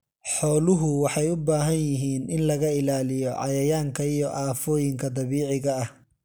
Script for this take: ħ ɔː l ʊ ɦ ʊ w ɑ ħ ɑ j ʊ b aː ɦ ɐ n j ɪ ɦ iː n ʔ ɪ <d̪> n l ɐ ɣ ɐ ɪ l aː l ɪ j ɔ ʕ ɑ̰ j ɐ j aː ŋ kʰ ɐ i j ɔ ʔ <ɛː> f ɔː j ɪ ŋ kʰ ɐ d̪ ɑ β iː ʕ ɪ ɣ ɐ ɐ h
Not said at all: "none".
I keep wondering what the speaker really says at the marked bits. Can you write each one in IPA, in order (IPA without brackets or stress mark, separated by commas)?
none, aː